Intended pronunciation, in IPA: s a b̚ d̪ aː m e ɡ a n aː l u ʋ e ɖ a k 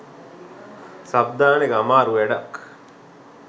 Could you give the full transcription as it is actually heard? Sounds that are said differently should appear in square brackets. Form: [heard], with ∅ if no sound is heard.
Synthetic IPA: s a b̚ d̪ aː [n] e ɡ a [m] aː [ɾ] u ʋ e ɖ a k